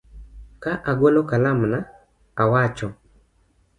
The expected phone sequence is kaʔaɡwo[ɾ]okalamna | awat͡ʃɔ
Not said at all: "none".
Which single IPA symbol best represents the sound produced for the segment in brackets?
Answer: l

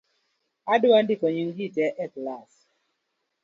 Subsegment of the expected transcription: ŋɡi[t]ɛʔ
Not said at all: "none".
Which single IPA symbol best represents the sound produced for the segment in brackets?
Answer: t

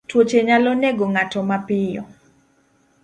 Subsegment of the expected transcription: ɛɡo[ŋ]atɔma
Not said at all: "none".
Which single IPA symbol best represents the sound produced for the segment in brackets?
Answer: ŋ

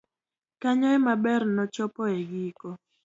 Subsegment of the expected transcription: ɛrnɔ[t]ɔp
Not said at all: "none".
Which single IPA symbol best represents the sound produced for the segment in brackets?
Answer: t͡ʃ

